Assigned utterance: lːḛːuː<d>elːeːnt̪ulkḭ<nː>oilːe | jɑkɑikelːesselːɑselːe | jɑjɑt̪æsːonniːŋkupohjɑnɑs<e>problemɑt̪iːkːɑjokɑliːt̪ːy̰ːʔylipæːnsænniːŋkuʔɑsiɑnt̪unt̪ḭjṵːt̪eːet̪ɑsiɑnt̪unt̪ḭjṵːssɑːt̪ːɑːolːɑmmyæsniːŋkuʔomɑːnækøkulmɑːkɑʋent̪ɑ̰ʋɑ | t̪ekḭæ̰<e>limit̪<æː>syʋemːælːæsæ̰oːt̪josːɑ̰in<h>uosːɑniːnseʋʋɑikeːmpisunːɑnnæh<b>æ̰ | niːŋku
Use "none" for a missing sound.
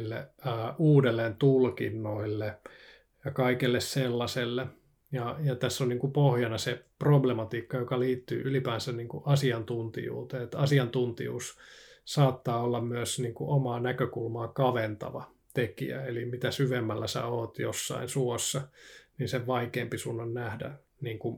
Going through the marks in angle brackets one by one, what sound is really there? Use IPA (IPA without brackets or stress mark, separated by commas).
d, nː, e, e, æ, s, d